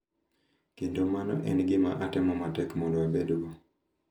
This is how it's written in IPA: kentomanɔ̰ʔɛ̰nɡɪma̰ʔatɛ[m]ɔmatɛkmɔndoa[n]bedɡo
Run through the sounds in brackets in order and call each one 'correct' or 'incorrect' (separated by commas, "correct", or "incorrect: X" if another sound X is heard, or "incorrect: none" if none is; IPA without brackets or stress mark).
correct, incorrect: none